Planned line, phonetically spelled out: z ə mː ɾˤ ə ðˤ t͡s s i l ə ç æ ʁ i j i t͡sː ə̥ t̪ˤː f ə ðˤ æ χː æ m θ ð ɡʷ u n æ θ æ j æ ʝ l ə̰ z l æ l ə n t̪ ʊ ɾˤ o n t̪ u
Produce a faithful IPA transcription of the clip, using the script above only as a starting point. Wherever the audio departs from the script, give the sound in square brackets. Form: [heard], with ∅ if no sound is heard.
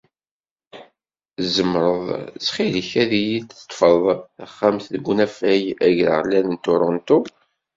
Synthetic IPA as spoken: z ə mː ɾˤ ə ðˤ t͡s [χ] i l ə ç æ [ð] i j i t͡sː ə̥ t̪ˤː f ə ðˤ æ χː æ m θ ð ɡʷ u n æ [f] æ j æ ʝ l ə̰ [ʁ] l æ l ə n t̪ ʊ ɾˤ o n t̪ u

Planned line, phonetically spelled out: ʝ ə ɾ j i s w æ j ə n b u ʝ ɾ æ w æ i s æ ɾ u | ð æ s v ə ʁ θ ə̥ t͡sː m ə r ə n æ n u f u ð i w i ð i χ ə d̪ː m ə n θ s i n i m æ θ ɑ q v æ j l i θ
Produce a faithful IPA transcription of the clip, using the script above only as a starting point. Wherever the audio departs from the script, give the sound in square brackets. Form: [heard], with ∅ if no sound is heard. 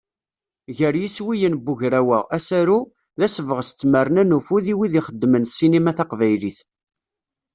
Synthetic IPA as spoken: ʝ ə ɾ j i s w [i] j ə n b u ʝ ɾ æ w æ [æ] s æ ɾ u | ð æ s v ə ʁ [s] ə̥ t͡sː m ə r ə n æ n u f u ð i w i ð i χ ə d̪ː m ə n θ s i n i m æ θ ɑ q v æ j l i θ

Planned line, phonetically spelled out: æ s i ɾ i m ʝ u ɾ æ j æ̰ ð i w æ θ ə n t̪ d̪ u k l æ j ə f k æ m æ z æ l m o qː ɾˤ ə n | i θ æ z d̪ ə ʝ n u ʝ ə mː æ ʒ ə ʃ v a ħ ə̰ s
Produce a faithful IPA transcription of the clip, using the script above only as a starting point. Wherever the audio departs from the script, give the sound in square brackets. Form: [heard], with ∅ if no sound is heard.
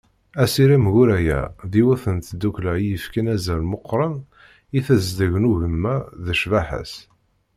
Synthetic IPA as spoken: æ s i ɾ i m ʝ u ɾ æ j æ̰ ð i w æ θ ə n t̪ d̪ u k l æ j ə f k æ [n] æ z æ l m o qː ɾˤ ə n | i θ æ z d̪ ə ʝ n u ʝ ə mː æ [ð] ə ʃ v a ħ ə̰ s

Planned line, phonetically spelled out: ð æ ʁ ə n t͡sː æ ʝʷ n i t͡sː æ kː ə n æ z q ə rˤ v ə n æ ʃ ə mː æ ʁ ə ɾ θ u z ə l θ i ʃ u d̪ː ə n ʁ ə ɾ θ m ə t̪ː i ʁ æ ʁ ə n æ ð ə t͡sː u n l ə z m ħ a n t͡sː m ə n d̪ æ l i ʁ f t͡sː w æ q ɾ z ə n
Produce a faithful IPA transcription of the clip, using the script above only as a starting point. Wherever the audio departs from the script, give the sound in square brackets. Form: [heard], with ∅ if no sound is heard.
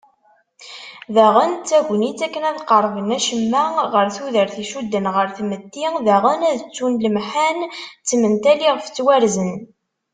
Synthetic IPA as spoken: ð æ ʁ ə n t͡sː æ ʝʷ n i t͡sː æ kː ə n æ [ð] q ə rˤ v ə n æ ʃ ə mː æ ʁ ə ɾ θ u [ð] ə [ɾ] θ i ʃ u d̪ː ə n ʁ ə ɾ θ m ə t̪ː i [ð] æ ʁ ə n æ ð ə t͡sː u n l ə [∅] m ħ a n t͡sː m ə n [t̪] æ l i ʁ f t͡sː w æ [∅] ɾ z ə n

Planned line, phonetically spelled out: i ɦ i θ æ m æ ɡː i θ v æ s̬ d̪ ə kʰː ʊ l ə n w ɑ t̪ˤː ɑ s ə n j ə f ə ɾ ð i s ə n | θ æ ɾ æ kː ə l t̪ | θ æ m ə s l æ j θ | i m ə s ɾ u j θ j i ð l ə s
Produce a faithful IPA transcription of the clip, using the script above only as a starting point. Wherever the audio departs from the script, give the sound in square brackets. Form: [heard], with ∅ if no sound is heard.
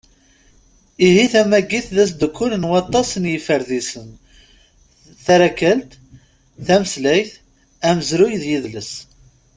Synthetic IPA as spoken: i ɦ i θ æ m æ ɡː i θ [ð] æ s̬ d̪ ə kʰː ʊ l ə n w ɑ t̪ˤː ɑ s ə n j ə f ə ɾ ð i s ə n | θ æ ɾ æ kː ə l t̪ | θ æ m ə s l æ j θ | [æ] m ə [z] ɾ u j [ð] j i ð l ə s

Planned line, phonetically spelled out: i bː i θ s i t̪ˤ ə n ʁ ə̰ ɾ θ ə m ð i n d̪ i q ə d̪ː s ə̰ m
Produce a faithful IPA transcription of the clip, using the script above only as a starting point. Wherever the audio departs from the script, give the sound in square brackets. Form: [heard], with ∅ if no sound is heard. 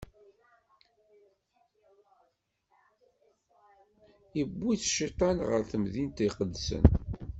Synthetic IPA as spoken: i bː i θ [ʃ] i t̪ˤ [ɑ] n ʁ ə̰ ɾ θ ə m ð i n [t̪] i q ə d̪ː s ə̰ [n]

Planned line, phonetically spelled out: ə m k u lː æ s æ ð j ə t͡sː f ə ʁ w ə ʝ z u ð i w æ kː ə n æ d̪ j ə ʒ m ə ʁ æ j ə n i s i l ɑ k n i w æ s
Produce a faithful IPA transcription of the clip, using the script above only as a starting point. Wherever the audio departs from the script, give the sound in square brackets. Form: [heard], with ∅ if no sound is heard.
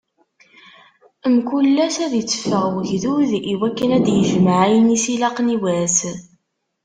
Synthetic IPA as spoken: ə m k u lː æ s æ ð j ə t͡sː f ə ʁ w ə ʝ [ð] u ð i w æ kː ə n æ d̪ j ə ʒ m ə [ʕ] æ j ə n i s i l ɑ [q] n i w æ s

